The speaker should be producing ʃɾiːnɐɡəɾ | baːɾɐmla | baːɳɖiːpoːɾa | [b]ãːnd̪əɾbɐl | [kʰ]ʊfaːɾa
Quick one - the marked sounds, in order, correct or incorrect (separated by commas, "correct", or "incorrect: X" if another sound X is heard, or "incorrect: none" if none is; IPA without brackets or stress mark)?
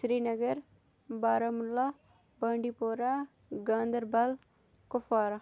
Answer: incorrect: ɡ, incorrect: k